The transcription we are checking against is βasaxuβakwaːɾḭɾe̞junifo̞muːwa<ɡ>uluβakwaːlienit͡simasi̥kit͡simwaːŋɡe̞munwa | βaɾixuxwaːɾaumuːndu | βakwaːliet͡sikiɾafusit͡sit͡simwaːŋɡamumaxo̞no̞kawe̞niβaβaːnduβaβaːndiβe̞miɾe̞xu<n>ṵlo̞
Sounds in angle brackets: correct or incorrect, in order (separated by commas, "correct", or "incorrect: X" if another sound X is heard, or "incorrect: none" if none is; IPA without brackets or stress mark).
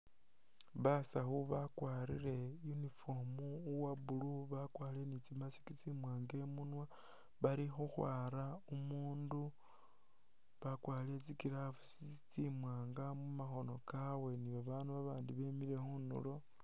incorrect: b, correct